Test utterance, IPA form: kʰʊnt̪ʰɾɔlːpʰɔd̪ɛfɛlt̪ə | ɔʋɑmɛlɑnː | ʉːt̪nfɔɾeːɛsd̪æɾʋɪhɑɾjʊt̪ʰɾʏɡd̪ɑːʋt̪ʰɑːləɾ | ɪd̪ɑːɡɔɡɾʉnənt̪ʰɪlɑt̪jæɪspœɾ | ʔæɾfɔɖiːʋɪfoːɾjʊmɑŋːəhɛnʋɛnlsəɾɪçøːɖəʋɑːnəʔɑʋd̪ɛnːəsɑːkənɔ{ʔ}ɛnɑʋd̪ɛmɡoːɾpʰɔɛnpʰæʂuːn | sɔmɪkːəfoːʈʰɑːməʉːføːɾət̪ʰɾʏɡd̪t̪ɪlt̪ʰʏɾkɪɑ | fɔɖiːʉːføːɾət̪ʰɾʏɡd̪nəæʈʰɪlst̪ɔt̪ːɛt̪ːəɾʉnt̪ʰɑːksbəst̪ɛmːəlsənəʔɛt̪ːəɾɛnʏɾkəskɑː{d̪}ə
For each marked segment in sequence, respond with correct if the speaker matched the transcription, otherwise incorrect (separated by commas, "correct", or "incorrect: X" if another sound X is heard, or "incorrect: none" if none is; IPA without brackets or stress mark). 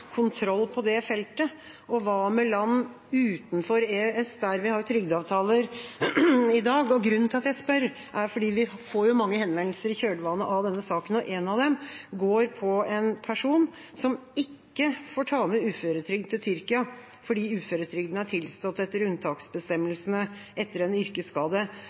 correct, correct